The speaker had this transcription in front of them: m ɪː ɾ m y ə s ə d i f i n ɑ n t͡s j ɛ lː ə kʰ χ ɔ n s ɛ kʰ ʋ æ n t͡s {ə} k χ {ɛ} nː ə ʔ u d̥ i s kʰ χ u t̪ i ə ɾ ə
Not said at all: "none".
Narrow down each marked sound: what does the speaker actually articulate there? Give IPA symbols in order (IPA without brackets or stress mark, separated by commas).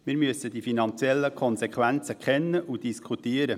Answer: ə, ɛ